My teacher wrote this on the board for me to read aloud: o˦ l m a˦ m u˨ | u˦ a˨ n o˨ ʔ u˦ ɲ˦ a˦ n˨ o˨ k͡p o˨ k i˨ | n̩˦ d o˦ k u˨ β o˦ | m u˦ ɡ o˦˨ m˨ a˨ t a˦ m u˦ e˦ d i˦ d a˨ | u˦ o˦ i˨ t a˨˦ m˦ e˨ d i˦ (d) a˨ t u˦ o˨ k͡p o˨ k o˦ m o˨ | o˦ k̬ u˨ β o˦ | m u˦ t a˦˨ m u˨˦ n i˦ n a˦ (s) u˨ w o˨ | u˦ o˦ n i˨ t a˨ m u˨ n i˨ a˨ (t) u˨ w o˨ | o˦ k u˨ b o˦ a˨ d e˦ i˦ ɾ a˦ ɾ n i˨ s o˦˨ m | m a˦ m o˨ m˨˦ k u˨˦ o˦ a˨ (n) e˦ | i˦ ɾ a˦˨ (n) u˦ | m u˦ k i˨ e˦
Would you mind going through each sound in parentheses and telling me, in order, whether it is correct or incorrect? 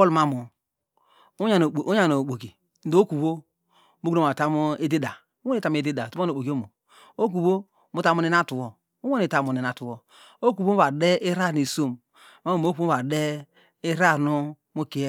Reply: correct, incorrect: t, correct, incorrect: d, correct

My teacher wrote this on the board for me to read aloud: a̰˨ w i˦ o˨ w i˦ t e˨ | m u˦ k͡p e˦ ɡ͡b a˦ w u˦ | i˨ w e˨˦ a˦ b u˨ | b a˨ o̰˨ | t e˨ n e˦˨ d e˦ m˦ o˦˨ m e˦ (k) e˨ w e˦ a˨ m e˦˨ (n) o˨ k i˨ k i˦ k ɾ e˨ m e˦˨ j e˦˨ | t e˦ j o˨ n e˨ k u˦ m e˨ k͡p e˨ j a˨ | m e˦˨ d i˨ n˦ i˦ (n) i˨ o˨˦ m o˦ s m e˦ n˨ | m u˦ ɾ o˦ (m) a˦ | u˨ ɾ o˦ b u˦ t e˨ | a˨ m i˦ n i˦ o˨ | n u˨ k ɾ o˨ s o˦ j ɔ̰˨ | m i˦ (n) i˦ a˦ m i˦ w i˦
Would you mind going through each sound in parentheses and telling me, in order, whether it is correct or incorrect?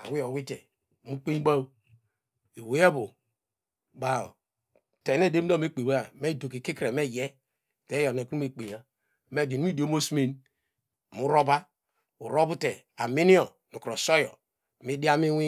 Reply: incorrect: k͡p, incorrect: d, incorrect: d, incorrect: b, incorrect: d

